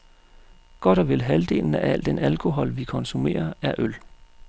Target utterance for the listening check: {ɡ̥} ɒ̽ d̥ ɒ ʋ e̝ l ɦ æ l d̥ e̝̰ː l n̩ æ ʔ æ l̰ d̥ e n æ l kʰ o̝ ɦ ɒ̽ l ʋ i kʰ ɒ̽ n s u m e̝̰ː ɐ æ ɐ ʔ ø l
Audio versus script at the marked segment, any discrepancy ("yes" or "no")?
no